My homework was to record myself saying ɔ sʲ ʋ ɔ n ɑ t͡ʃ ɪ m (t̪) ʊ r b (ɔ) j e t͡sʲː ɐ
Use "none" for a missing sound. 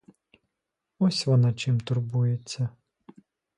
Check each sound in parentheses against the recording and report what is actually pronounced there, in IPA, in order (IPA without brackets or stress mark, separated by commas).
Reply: t̪, u